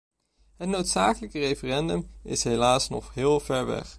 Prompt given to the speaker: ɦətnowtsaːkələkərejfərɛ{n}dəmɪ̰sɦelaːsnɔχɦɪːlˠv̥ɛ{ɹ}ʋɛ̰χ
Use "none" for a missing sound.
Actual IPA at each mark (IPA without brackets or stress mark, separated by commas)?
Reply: n, ɹ